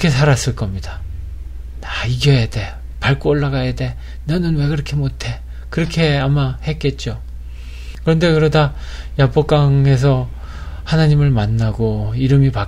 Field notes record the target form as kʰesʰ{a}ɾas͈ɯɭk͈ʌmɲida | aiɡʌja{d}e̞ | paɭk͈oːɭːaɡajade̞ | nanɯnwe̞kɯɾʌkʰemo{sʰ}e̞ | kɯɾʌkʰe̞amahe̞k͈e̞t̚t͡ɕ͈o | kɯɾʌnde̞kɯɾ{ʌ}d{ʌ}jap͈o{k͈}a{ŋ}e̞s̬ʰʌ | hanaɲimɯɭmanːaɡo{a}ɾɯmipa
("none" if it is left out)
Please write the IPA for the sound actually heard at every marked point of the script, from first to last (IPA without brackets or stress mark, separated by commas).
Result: a, d, tʰ, ʌ, a, k͈, ŋ, i